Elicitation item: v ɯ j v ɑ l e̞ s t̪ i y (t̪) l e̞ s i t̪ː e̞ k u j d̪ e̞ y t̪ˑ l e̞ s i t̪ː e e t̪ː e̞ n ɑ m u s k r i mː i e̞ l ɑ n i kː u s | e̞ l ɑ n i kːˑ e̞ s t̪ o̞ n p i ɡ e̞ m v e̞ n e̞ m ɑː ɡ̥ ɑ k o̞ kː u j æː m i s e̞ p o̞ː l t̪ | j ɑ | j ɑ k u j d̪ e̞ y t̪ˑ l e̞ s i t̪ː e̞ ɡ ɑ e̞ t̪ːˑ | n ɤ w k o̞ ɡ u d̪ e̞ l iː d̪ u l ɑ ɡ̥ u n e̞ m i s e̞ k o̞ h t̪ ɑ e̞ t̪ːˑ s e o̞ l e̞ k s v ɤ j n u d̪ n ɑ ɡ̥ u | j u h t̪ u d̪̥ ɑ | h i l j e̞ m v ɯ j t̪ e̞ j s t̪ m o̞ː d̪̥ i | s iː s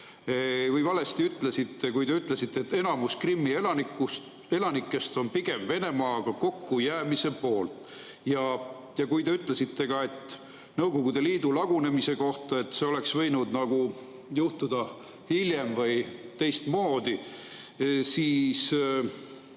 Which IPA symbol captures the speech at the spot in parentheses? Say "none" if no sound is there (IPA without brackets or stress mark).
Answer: t̪